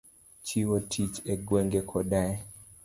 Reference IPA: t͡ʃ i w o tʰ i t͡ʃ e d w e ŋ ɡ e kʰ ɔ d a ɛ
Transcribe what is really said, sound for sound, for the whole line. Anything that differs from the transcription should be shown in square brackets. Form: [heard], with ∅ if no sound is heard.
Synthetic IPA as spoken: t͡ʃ i w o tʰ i t͡ʃ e [ɡ] w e ŋ ɡ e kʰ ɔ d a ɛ

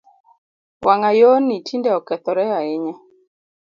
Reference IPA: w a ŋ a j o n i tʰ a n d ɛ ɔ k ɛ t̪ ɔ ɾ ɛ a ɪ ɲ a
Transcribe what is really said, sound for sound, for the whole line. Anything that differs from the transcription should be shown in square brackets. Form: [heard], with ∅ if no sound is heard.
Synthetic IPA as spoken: w a ŋ a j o n i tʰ [i] n d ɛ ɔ k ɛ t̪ ɔ ɾ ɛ a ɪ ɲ a

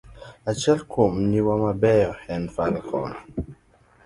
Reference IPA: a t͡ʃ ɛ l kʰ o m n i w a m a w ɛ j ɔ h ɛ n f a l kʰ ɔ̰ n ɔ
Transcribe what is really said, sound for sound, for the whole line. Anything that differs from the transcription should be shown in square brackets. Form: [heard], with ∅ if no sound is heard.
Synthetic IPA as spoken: a t͡ʃ ɛ l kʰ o m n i w a m a [b] ɛ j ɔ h ɛ n f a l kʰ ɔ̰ n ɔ

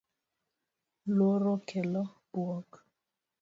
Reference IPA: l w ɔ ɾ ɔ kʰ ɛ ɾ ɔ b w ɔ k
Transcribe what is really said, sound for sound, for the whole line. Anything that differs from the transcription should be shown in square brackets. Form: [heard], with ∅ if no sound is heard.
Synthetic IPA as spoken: l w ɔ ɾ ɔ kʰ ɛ [l] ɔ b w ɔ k

